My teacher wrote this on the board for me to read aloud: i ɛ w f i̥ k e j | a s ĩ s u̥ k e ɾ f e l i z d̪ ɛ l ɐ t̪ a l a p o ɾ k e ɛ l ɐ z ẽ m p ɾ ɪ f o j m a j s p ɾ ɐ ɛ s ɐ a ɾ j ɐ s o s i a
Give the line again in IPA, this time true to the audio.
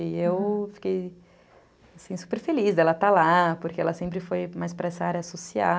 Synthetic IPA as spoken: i e w f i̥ k e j | a s ĩ s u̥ p e ɾ f e l i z d̪ ɛ l ɐ t̪ a l a p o ɾ k e ɛ l ɐ s ẽ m p ɾ ɪ f o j m a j s p ɾ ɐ ɛ s ɐ a ɾ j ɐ s o s i a